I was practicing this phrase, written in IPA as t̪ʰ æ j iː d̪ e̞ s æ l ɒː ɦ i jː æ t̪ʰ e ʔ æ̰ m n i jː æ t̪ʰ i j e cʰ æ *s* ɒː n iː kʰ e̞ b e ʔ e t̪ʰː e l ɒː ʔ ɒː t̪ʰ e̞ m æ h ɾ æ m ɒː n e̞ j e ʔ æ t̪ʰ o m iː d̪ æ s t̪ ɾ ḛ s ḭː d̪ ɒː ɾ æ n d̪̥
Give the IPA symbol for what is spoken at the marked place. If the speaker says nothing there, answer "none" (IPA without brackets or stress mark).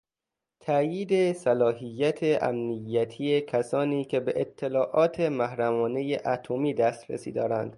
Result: s